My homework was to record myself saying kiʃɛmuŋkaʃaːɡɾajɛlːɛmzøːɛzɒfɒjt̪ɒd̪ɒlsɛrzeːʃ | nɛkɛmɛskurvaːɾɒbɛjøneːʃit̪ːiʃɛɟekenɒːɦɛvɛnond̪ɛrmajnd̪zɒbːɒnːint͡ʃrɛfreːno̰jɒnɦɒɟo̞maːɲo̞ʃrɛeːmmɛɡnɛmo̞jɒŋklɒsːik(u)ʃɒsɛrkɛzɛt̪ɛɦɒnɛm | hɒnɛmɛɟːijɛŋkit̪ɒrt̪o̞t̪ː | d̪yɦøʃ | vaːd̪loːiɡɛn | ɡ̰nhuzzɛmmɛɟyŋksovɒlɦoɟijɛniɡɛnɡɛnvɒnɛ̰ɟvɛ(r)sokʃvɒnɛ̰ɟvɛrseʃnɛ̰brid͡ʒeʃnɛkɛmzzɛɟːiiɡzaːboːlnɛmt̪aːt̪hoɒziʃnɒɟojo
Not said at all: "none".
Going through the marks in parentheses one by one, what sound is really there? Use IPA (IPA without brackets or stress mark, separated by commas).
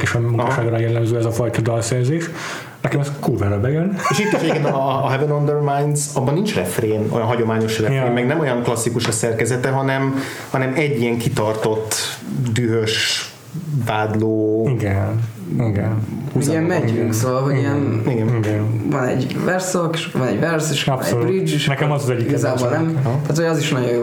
u, r